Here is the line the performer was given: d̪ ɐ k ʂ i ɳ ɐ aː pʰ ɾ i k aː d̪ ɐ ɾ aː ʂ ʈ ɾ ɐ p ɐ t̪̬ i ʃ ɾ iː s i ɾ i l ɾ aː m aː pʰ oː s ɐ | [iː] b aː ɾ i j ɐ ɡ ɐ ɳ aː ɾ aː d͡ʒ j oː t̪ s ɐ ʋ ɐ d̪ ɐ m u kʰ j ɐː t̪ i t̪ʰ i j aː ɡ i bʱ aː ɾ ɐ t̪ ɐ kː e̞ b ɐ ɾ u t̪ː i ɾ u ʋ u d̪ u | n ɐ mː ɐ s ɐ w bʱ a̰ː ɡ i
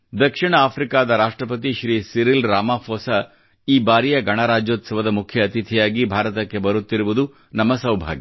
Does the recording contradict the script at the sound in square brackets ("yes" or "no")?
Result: no